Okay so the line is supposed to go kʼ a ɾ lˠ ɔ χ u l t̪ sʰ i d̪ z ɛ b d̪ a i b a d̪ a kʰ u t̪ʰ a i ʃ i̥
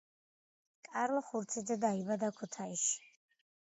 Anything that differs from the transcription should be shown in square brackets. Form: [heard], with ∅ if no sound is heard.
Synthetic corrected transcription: kʼ a ɾ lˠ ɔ χ u [ɾ] t̪ sʰ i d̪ z ɛ [∅] d̪ a i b a d̪ a kʰ u t̪ʰ a i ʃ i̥